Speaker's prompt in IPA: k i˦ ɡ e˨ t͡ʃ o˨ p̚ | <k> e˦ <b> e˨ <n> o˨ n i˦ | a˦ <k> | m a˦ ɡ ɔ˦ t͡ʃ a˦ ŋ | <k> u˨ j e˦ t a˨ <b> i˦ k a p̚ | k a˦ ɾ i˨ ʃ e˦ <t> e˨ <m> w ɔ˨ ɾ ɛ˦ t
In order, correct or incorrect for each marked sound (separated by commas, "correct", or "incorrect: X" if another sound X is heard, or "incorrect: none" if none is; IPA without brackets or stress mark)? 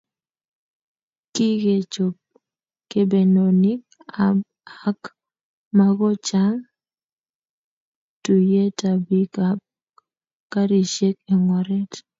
correct, correct, correct, correct, incorrect: t, correct, incorrect: k, incorrect: ŋ